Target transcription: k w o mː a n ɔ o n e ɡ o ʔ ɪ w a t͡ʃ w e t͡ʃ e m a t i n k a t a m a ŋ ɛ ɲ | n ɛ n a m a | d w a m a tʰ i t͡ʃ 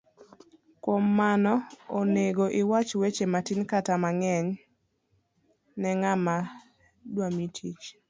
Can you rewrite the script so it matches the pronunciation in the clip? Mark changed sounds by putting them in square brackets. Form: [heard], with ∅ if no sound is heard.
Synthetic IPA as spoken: k w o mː a n ɔ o n e ɡ o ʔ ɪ w a t͡ʃ w e t͡ʃ e m a t i n k a t a m a ŋ ɛ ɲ | n ɛ [ŋ] a m a | d w a m [i] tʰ i t͡ʃ